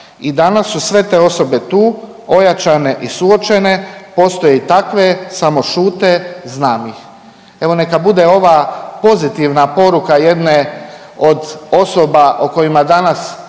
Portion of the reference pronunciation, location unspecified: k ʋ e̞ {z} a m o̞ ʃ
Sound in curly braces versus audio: incorrect: s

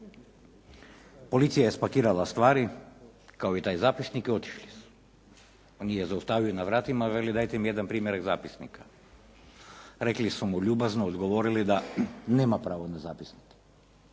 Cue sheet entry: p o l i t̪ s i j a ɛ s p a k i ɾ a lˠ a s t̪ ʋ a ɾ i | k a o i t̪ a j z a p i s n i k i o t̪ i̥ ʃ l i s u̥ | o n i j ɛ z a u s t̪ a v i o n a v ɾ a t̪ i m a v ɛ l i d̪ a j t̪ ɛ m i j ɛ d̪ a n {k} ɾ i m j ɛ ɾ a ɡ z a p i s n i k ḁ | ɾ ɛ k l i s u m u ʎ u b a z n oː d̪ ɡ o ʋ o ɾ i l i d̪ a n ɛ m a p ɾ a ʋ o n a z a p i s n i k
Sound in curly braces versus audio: incorrect: p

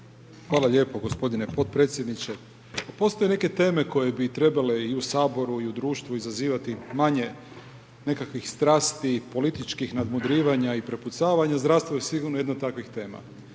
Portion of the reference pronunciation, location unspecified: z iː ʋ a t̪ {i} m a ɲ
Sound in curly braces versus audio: correct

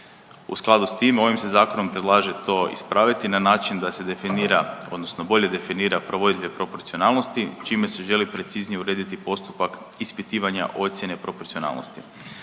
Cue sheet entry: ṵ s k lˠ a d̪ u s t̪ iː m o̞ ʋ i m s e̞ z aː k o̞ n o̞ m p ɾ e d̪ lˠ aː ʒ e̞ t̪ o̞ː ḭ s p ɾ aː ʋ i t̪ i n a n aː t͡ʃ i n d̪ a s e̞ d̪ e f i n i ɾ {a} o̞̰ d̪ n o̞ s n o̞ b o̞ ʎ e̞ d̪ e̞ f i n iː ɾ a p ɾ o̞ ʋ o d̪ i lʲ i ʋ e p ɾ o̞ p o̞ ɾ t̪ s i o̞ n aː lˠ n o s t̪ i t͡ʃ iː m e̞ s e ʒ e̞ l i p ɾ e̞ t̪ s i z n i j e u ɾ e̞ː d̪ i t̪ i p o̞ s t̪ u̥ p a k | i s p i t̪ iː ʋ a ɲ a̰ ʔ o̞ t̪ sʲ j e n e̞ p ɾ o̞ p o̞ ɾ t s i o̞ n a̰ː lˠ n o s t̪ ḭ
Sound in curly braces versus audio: correct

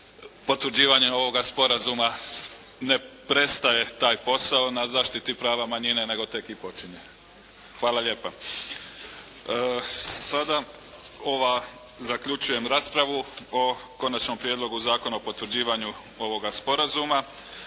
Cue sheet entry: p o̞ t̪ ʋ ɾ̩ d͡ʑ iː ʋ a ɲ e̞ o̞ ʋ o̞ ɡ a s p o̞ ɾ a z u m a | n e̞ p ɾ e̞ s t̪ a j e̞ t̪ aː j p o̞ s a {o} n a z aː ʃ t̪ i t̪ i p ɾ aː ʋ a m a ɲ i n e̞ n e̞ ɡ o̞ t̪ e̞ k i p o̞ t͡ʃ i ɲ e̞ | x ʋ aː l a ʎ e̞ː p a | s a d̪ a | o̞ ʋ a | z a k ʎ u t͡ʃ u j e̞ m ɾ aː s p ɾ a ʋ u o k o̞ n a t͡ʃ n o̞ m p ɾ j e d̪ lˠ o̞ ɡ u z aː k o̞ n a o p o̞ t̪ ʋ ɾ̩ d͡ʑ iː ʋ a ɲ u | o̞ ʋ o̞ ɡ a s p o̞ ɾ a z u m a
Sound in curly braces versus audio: correct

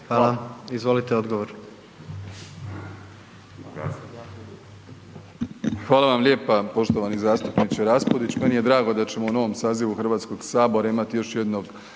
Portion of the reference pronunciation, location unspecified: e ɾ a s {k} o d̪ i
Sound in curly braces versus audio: incorrect: p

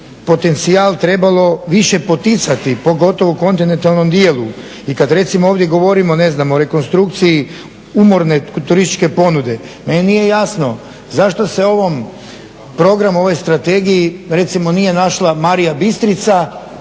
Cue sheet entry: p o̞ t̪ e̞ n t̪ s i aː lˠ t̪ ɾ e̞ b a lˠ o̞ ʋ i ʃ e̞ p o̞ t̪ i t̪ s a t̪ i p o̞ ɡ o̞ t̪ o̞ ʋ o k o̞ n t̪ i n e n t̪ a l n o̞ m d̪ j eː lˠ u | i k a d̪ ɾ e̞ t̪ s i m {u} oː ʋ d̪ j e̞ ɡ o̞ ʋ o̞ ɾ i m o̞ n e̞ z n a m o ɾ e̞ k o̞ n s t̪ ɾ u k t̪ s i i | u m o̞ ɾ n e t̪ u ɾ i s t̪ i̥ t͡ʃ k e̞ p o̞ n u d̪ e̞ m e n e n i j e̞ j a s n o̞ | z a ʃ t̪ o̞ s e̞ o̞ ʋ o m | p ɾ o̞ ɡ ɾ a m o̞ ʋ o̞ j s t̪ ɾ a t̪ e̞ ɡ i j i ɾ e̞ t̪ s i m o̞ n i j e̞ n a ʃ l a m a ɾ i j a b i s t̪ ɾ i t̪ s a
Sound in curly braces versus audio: incorrect: o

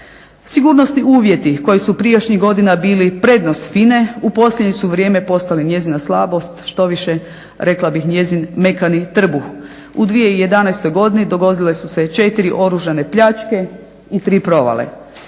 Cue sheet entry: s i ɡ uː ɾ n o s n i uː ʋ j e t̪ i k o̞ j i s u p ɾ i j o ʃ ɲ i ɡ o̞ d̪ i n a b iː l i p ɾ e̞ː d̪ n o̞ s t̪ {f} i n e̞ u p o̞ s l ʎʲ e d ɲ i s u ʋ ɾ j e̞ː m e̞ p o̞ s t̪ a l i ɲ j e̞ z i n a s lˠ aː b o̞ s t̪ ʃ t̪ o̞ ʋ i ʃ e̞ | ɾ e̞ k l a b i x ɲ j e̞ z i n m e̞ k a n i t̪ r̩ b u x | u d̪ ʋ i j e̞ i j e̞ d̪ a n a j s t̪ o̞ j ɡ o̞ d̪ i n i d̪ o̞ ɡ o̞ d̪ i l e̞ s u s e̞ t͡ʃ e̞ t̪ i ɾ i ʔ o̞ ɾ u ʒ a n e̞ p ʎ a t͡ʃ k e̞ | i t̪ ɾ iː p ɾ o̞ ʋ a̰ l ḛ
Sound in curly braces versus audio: correct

